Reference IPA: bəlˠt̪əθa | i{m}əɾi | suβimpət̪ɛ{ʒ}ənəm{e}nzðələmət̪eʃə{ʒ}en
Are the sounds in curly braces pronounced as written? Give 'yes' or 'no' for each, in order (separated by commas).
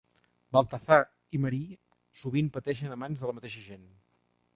yes, no, no, yes